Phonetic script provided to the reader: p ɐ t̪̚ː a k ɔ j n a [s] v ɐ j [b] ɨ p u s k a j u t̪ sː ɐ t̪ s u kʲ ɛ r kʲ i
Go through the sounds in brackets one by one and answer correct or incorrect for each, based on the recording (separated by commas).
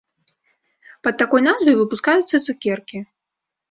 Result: incorrect, incorrect